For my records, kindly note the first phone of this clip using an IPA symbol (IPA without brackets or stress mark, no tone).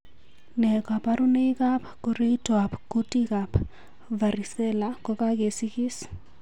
n